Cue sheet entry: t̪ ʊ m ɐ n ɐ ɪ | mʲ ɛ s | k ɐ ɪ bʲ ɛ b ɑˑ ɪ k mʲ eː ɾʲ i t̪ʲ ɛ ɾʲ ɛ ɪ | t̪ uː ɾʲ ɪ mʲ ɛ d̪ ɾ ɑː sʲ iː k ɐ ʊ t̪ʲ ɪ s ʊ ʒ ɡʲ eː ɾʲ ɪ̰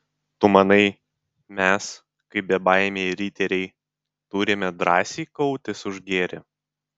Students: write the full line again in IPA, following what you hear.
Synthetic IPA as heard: t̪ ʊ m ɐ n ɐ ɪ | mʲ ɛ s | k ɐ ɪ bʲ ɛ b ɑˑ ɪ mʲ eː ɾʲ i t̪ʲ ɛ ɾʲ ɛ ɪ | t̪ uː ɾʲ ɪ mʲ ɛ d̪ ɾ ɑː sʲ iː k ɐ ʊ t̪ʲ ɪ s ʊ ʒ ɡʲ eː ɾʲ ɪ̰